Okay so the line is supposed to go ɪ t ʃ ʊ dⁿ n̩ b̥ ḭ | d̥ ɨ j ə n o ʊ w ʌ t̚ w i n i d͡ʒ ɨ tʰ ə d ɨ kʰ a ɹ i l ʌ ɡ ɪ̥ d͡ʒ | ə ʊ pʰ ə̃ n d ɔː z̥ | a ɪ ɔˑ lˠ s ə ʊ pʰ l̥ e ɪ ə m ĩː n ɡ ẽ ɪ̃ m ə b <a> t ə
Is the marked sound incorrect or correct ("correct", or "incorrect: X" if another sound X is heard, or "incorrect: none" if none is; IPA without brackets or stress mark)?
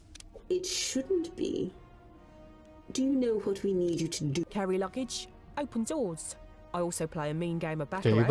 correct